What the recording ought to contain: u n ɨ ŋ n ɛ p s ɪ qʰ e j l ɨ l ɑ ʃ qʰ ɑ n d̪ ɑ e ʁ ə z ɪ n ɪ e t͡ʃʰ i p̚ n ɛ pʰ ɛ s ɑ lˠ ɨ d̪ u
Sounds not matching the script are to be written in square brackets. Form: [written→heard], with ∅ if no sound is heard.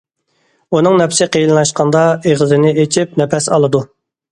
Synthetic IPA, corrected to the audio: u n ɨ ŋ n ɛ p s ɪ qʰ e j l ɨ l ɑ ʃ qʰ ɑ n d̪ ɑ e ʁ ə z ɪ n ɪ e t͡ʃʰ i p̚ n ɛ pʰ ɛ s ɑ lˠ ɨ d̪ u